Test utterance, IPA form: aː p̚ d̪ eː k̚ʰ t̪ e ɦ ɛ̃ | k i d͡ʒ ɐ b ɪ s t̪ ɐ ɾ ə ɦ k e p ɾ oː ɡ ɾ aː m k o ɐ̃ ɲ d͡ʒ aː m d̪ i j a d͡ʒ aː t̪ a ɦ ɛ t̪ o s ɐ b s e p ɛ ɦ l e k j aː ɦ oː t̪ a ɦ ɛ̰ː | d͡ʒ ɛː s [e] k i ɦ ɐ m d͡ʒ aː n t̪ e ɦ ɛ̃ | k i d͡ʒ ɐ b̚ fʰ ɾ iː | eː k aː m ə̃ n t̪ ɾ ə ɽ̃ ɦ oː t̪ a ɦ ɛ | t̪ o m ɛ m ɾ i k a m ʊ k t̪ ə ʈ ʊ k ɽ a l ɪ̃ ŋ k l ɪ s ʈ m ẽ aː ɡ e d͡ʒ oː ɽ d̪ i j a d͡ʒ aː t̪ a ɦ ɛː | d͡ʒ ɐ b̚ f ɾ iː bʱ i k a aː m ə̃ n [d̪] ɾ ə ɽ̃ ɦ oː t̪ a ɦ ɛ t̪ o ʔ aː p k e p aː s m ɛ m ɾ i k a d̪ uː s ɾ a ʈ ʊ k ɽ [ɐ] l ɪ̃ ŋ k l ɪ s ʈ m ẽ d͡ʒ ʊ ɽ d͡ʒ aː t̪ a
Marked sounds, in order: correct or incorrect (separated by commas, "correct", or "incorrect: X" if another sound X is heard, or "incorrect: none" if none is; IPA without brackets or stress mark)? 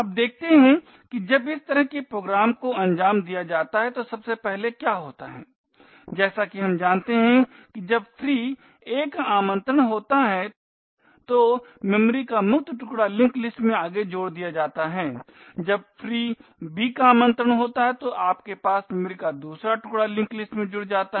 incorrect: a, incorrect: t̪, incorrect: a